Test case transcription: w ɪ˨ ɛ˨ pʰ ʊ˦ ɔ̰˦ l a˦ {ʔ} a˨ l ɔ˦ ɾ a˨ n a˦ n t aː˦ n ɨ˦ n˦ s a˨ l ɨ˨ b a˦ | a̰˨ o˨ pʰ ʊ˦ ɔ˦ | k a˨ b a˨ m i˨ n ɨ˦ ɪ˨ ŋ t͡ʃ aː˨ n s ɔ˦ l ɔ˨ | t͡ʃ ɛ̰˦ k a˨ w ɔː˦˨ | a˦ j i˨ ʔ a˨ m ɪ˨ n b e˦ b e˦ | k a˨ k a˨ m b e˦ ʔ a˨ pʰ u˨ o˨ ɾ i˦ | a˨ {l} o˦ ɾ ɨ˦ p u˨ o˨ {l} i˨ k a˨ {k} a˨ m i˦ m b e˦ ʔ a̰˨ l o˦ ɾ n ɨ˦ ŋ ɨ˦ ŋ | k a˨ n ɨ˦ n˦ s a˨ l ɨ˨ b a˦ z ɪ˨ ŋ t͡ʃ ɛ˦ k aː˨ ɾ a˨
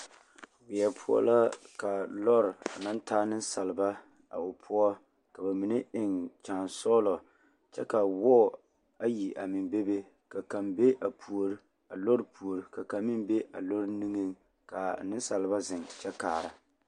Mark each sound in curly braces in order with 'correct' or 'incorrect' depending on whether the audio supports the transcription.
incorrect, correct, incorrect, correct

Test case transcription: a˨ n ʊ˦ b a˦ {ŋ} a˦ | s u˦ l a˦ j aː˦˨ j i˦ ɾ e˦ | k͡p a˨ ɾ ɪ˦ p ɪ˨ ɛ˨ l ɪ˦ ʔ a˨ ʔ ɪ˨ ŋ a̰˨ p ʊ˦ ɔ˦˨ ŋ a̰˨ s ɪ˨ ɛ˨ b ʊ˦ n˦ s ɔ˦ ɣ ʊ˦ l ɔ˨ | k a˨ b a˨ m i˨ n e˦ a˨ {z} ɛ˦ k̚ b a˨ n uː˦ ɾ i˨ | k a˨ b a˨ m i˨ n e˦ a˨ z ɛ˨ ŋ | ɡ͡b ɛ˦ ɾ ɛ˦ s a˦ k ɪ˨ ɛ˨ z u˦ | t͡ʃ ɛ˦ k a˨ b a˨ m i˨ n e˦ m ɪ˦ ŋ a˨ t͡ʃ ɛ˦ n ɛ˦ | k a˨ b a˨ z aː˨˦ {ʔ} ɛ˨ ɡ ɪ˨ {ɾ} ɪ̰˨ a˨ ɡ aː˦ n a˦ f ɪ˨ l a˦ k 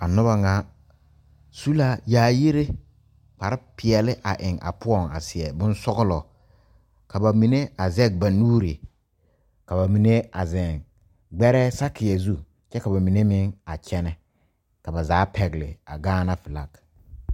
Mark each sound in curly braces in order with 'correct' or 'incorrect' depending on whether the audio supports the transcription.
correct, correct, incorrect, incorrect

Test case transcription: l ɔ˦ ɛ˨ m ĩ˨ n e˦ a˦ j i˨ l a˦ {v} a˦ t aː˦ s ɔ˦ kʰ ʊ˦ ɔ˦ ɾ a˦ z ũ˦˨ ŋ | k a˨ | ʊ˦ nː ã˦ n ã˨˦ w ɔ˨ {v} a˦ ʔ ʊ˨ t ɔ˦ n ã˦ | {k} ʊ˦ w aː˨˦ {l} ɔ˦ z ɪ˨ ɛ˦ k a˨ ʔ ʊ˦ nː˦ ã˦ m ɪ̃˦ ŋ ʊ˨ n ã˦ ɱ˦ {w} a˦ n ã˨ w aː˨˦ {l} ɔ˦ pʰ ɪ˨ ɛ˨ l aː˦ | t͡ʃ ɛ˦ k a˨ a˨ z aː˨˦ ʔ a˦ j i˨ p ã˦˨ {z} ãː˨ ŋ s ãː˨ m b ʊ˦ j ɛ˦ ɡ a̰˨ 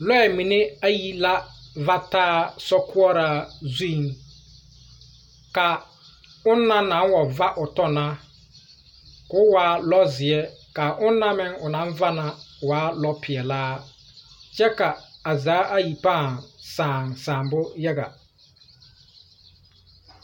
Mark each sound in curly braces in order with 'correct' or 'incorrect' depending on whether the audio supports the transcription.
correct, correct, correct, correct, incorrect, correct, incorrect

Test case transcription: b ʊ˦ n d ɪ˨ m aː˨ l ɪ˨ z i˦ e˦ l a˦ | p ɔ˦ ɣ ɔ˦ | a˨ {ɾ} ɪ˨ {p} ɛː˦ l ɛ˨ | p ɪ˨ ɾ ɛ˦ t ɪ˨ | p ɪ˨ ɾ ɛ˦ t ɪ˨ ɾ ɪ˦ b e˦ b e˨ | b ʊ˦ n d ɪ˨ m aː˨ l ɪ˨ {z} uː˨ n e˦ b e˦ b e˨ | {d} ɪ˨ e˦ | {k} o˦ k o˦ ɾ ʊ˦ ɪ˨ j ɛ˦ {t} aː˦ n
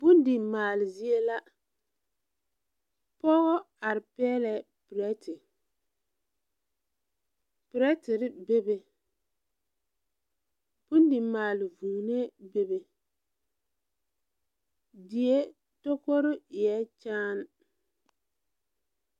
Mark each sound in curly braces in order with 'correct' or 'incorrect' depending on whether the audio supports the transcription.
correct, correct, incorrect, correct, incorrect, incorrect

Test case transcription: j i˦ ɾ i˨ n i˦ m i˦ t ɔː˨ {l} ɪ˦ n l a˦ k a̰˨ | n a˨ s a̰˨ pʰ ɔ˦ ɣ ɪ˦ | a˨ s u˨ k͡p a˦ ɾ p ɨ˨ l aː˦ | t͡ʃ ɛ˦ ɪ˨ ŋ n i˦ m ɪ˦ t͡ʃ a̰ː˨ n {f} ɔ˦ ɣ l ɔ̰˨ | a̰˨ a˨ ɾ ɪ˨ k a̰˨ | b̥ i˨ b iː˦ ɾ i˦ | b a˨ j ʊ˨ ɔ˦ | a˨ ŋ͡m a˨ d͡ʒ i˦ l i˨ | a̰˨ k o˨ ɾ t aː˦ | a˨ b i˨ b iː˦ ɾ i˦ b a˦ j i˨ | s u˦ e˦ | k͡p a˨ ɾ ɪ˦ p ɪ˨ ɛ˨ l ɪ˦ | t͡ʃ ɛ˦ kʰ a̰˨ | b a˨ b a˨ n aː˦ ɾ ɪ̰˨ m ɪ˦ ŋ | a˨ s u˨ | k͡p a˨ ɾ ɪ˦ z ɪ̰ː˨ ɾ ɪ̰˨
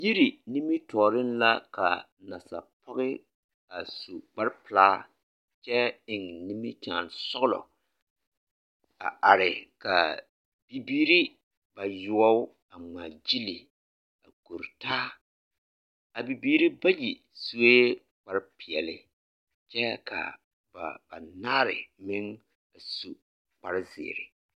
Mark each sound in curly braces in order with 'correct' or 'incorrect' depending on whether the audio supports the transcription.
incorrect, incorrect

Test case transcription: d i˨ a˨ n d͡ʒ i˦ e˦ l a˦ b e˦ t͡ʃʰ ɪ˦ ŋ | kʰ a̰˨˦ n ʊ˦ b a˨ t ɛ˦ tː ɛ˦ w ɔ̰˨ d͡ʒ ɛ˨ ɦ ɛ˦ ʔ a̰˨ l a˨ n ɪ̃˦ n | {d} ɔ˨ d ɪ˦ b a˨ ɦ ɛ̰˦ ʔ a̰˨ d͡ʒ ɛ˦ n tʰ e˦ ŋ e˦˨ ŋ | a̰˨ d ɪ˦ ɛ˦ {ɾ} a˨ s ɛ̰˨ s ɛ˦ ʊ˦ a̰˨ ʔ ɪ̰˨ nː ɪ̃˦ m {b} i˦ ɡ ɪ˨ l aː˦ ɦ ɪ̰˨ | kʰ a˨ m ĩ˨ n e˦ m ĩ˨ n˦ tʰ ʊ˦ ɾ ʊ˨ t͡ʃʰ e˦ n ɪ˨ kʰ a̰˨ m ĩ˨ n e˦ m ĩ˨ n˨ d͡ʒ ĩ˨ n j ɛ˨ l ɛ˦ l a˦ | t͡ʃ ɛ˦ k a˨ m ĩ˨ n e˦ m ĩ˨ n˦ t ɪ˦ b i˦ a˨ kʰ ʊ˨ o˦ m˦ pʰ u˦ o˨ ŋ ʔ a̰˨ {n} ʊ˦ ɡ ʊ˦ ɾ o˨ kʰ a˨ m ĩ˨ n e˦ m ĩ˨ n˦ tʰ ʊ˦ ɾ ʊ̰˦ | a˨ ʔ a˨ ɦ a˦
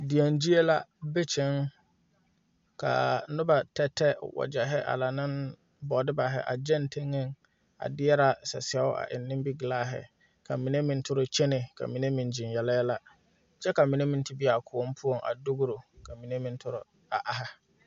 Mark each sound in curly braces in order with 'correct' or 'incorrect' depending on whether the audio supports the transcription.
incorrect, correct, correct, incorrect

